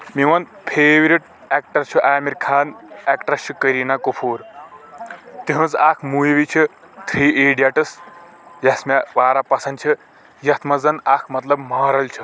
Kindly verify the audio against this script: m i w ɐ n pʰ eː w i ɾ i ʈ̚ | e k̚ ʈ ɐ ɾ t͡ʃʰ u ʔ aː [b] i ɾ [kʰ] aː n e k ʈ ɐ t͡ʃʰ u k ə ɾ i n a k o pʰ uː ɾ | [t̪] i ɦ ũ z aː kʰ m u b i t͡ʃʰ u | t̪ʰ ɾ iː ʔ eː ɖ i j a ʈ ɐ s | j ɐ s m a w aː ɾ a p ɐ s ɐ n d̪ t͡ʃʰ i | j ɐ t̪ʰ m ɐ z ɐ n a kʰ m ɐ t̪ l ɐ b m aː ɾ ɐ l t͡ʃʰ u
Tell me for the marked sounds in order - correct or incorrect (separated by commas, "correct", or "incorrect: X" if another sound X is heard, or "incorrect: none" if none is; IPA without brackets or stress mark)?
incorrect: m, correct, correct